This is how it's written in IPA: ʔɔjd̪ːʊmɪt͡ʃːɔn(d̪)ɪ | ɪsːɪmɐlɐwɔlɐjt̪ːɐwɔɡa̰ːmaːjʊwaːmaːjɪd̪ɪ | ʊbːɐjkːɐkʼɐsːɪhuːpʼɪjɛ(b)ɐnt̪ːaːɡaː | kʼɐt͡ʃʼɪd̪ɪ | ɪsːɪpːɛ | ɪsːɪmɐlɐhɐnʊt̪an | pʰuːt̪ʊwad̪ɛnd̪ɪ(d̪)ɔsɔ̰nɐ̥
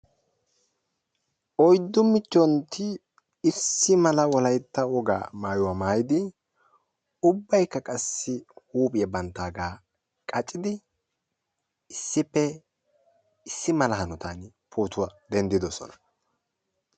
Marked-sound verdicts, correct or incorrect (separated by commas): incorrect, correct, correct